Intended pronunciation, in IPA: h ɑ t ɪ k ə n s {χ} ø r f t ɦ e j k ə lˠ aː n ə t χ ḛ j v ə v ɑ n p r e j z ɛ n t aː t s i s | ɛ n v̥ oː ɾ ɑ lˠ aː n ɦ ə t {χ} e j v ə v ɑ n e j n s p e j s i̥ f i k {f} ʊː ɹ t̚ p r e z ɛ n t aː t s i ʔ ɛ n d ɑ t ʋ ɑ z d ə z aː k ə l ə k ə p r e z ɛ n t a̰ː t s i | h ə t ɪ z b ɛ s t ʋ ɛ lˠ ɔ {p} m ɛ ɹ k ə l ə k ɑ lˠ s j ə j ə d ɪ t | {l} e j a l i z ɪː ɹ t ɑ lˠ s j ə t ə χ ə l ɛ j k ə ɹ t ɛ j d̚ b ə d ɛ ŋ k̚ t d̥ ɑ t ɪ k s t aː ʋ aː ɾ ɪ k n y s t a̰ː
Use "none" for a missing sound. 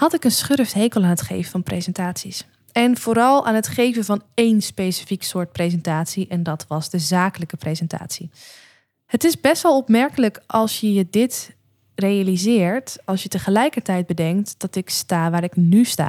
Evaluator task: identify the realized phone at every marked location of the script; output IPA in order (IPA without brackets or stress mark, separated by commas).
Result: χ, χ, s, p, r